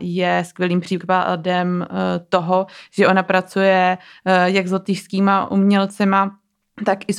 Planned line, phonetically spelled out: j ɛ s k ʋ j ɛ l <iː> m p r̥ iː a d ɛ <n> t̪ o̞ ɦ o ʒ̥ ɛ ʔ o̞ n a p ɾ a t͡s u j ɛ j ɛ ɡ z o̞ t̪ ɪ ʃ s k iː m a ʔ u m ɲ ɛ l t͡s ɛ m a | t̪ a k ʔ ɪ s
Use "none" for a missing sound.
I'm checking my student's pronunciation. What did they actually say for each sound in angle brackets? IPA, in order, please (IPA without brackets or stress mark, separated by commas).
iː, m